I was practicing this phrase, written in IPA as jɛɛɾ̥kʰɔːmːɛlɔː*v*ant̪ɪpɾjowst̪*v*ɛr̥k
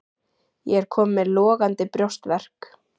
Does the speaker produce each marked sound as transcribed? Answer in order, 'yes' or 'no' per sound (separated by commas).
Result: no, yes